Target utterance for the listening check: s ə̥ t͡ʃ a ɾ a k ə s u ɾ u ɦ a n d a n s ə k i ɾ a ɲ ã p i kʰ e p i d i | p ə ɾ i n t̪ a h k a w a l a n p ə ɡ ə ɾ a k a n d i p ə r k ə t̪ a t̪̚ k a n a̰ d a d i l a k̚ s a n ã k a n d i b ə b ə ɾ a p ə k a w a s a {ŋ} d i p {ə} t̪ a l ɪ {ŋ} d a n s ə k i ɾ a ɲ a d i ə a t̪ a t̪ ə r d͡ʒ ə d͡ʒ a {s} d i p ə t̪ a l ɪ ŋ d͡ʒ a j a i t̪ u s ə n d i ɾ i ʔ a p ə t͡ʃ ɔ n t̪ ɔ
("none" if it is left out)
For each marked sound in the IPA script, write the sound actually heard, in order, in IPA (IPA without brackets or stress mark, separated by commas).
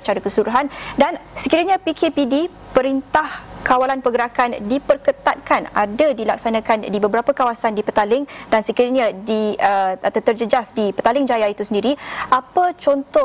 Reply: n, ə, ŋ, s